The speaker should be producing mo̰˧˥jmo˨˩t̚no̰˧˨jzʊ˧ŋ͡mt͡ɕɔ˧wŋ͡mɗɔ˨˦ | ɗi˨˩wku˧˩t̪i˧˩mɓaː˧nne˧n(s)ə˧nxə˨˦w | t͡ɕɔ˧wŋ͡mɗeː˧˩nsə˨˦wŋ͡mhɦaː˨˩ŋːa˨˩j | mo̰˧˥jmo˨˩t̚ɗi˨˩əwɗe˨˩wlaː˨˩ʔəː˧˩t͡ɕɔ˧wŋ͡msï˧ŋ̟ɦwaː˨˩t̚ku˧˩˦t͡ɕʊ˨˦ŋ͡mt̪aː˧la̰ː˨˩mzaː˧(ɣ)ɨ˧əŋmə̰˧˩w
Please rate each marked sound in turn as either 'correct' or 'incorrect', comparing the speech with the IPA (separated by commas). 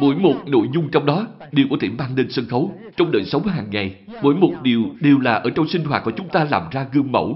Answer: correct, correct